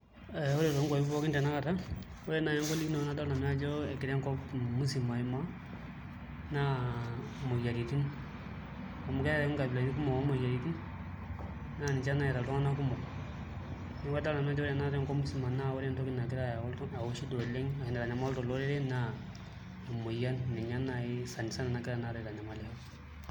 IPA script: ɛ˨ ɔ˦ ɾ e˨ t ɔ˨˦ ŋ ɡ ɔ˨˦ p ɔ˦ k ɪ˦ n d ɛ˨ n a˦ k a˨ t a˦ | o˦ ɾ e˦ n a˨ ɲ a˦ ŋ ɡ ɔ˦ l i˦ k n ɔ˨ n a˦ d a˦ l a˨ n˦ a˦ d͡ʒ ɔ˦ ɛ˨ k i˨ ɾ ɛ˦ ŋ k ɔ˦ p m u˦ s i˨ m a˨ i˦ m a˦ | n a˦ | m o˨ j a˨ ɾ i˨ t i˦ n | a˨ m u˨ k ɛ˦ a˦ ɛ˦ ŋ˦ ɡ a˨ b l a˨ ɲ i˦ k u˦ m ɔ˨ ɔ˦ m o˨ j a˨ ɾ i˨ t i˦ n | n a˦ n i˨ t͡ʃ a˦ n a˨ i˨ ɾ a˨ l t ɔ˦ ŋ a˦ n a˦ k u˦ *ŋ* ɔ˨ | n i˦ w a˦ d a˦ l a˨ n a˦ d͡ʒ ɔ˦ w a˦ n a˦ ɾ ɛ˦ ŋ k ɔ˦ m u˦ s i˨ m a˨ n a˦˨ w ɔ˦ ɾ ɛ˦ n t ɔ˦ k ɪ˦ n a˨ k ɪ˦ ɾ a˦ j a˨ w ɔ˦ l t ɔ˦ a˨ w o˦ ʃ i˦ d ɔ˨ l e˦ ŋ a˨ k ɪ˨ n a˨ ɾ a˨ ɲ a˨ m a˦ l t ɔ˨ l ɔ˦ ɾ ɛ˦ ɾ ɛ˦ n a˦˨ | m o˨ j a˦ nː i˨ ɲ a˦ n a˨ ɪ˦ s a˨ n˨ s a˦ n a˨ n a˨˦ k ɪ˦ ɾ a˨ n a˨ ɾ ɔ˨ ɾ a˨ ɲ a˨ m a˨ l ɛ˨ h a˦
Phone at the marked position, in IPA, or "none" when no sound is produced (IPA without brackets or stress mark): m